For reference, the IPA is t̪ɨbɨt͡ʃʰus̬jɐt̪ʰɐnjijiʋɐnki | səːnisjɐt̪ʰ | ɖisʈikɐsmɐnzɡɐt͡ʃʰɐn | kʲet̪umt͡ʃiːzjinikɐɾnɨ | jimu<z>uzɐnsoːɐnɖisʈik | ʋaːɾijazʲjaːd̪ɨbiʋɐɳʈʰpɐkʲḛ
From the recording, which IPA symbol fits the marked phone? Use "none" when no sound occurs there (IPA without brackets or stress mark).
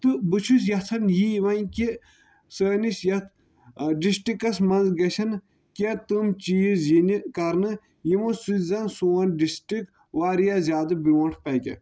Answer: s